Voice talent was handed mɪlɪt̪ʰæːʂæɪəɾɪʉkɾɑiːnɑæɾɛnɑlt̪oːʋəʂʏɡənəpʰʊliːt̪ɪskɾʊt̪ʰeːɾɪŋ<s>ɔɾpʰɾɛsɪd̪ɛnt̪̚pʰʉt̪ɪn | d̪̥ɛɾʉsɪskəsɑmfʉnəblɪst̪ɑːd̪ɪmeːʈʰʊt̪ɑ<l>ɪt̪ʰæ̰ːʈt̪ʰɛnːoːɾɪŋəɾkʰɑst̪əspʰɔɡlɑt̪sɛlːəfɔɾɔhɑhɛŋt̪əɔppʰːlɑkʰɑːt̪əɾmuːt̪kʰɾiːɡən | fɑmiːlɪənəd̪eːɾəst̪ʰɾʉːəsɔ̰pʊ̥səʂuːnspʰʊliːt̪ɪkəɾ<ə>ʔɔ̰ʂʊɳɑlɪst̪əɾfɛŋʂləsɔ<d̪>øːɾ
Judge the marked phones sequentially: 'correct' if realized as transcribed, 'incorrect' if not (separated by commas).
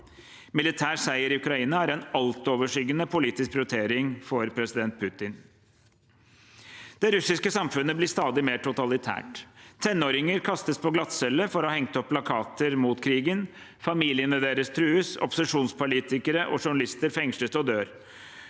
incorrect, correct, correct, correct